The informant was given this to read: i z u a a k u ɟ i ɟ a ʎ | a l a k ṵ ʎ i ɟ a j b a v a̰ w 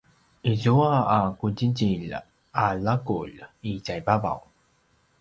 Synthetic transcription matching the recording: i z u a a k u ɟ i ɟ i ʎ | a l a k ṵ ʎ i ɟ a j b a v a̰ w